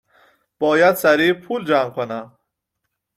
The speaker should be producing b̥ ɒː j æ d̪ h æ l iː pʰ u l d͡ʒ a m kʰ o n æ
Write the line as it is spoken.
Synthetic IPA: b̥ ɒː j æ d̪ s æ ɾ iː pʰ u l d͡ʒ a m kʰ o n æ